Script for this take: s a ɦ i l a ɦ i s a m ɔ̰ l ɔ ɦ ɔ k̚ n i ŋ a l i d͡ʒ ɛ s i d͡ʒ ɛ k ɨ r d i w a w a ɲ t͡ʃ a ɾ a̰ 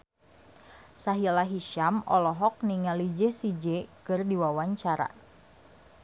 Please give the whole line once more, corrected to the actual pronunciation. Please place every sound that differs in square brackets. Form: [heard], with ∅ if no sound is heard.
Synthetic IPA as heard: s a ɦ i l a ɦ i [ʃ] a m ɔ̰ l ɔ ɦ ɔ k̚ n i ŋ a l i d͡ʒ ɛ s i d͡ʒ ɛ k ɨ r d i w a w a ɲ t͡ʃ a ɾ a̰